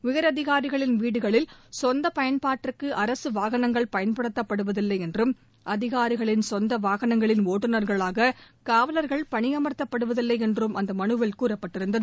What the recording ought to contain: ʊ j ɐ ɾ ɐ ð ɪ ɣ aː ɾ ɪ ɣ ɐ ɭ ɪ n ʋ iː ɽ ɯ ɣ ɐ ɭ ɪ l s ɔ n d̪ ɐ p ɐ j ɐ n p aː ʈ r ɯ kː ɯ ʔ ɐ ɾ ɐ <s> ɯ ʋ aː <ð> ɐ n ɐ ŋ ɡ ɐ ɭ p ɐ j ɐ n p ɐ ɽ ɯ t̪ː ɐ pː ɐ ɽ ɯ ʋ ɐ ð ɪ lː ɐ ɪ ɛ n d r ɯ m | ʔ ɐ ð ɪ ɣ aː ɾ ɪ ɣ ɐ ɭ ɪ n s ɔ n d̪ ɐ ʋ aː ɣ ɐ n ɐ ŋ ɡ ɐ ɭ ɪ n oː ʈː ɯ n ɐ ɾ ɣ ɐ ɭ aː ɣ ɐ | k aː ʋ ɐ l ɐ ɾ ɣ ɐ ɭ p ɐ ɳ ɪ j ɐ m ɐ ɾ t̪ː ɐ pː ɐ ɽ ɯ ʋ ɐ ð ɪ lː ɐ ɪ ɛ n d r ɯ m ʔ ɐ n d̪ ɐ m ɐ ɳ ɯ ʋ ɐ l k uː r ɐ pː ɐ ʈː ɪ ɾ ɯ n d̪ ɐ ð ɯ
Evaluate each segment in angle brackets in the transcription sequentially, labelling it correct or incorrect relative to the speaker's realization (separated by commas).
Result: correct, incorrect